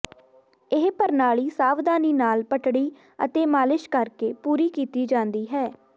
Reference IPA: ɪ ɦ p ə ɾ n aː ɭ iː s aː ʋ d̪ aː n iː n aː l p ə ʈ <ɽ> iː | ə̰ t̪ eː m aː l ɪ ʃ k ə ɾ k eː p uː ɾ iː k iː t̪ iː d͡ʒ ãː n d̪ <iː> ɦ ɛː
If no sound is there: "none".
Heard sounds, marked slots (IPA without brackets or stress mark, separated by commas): ɽ, iː